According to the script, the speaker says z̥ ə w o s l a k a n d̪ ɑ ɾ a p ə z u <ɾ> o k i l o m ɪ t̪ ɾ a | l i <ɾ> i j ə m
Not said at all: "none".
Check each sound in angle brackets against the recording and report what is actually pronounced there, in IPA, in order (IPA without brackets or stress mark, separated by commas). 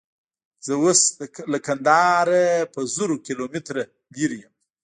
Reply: ɾ, ɾ